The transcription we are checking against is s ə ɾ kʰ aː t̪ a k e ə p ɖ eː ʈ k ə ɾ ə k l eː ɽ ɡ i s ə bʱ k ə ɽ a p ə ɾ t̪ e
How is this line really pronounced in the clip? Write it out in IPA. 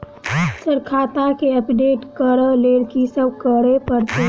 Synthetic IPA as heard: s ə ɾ kʰ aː t̪ a k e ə p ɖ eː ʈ k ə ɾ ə l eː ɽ k i s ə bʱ k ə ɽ e p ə ɾ t̪ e